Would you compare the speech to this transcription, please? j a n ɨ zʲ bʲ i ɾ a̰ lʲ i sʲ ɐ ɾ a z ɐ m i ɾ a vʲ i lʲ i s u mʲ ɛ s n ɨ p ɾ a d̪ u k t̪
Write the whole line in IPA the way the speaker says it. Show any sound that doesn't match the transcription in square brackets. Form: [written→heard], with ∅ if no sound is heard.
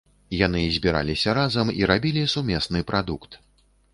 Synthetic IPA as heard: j a n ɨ zʲ bʲ i ɾ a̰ lʲ i sʲ ɐ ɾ a z ɐ m i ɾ a [vʲ→bʲ] i lʲ i s u mʲ ɛ s n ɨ p ɾ a d̪ u k t̪